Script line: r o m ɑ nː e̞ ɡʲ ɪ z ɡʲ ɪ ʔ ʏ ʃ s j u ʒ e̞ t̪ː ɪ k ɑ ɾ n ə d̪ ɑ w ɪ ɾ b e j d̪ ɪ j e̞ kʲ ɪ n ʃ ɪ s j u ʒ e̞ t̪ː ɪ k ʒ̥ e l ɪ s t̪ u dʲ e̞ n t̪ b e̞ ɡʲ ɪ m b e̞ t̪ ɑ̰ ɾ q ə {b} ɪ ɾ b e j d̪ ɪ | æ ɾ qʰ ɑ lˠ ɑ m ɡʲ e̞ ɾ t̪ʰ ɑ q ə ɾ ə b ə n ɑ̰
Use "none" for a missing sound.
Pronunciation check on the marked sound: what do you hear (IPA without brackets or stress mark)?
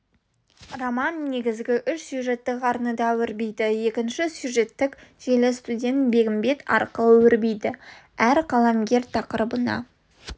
w